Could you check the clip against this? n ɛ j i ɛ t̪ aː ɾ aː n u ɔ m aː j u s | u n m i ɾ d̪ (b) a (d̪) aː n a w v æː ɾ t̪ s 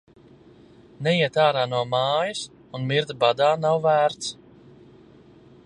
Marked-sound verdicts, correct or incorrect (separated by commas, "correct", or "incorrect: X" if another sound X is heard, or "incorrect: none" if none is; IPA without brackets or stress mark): correct, correct